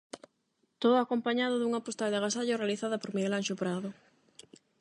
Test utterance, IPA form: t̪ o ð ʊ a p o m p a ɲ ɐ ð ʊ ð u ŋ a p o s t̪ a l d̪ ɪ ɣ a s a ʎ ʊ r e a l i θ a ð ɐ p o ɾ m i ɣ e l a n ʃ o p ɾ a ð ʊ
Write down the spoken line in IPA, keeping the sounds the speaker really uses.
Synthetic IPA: t̪ o ð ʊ a k o m p a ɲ a ð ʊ ð u ŋ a p o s t̪ a l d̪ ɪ ɣ a s a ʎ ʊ r e a l i θ a ð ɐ p o ɾ m i ɣ e l a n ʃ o p ɾ a ð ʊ